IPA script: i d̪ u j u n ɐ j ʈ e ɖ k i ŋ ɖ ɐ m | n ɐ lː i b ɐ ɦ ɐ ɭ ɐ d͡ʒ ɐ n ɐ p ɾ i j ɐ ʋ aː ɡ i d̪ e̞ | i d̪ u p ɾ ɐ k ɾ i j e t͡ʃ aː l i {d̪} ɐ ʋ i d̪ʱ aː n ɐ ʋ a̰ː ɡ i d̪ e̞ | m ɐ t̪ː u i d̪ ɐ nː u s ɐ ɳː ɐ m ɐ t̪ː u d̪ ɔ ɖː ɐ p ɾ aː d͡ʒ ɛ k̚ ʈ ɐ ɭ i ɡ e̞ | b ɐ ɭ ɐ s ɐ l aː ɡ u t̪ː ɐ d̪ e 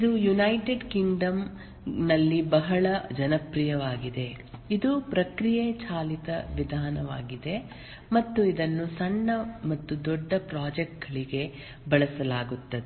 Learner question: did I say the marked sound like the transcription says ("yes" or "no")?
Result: no